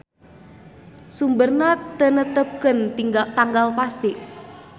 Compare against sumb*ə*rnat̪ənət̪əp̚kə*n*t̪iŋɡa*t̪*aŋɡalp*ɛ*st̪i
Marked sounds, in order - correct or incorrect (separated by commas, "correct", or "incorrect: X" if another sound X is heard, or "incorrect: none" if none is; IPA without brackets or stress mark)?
correct, correct, correct, incorrect: a